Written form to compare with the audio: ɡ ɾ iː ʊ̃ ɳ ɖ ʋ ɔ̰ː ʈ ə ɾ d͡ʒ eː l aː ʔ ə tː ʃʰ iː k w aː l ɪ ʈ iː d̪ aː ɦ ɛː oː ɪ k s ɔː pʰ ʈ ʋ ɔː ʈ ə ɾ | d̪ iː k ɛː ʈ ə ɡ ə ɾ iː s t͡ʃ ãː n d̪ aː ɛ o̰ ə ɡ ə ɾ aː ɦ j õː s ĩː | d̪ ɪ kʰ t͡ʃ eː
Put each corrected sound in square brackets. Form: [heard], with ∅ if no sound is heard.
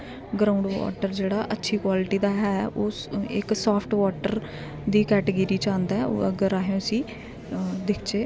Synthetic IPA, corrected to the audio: ɡ ɾ [aː] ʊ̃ ɳ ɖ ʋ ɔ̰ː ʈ ə ɾ d͡ʒ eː [ɽ] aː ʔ ə tː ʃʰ iː k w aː l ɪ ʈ iː d̪ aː ɦ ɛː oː ɪ k s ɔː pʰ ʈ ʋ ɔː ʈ ə ɾ | d̪ iː k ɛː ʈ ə ɡ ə ɾ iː [∅] t͡ʃ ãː n d̪ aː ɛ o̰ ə ɡ ə ɾ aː ɦ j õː s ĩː | d̪ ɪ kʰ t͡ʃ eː